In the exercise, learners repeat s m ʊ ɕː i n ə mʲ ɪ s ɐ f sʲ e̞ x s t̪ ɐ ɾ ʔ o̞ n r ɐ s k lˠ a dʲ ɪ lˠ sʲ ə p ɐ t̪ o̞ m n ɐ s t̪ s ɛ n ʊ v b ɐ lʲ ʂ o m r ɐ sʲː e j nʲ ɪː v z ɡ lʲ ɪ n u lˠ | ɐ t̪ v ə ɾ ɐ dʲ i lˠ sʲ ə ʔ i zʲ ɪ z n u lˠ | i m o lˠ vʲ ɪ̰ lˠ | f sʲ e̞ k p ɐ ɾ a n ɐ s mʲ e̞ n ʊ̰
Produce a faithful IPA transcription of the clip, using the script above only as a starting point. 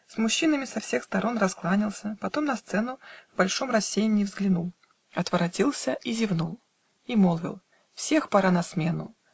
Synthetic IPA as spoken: s m ʊ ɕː i n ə mʲ ɪ s ɐ f sʲ e̞ x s t̪ ɐ ɾ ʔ o̞ n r ɐ s k lˠ a nʲ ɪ lˠ sʲ ə p ɐ t̪ o̞ m n ɐ s t̪ s ɛ n ʊ v b ɐ lʲ ʂ o m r ɐ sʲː e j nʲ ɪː v z ɡ lʲ ɪ n u lˠ | ɐ t̪ v ə ɾ ɐ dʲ i lˠ sʲ ə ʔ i zʲ ɪ v n u lˠ | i m o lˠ vʲ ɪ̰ lˠ | f sʲ e̞ x p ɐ ɾ a n ɐ s mʲ e̞ n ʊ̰

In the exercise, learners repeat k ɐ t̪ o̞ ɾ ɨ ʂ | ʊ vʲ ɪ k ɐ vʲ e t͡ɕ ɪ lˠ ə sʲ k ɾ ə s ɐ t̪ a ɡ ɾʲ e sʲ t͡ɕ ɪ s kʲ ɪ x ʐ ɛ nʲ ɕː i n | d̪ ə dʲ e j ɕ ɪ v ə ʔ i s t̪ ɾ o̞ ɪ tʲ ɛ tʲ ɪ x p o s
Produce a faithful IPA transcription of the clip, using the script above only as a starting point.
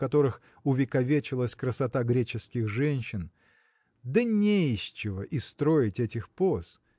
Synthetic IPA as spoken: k ɐ t̪ o̞ ɾ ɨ x | ʊ vʲ ɪ k ɐ vʲ e t͡ɕ ɪ lˠ ə sʲ k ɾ ə s ɐ t̪ a ɡ ɾʲ e t͡ɕ ɪ s kʲ ɪ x ʐ ɛ nʲ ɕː ɪ n | d̪ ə nʲ e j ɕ ɪ v ə ʔ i s t̪ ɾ o̞ ɪ tʲ ɛ tʲ ɪ x p o s

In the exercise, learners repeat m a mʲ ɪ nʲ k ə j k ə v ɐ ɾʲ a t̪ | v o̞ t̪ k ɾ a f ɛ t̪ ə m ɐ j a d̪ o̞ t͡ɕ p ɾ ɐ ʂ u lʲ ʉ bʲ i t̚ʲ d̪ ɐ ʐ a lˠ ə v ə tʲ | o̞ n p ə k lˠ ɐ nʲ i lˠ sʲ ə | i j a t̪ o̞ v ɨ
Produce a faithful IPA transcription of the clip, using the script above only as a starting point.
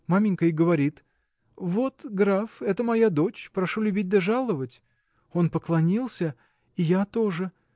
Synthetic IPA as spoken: m a mʲ ɪ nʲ k ə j ɡ ə v ɐ ɾʲ i t̪ | v o̞ t̪ ɡ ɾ a f ɛ t̪ ə m ɐ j a d̪ o̞ t͡ɕ p ɾ ɐ ʂ u lʲ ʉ bʲ i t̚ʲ d̪ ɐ ʐ a lˠ ə v ə tʲ | o̞ n p ə k lˠ ɐ nʲ i lˠ sʲ ə | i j a t̪ o̞ ʐ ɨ

